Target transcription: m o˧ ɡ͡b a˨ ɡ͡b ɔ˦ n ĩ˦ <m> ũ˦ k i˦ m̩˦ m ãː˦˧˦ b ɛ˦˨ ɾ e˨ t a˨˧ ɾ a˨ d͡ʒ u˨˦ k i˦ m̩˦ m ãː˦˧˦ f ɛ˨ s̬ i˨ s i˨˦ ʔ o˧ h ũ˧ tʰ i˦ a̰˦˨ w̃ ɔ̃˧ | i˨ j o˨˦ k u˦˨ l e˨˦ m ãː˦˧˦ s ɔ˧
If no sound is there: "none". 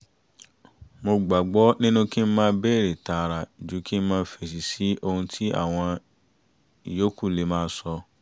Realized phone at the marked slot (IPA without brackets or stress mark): n